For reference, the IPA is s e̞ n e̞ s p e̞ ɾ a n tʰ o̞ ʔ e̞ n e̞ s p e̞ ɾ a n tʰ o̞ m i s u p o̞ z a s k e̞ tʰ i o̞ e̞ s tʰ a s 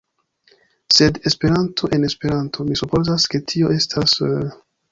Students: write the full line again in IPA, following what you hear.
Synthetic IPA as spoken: s e̞ d e̞ s p e̞ ɾ a n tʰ o̞ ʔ e̞ n e̞ s p e̞ ɾ a n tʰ o̞ m i s u p o̞ z a s k e̞ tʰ i o̞ e̞ s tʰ a s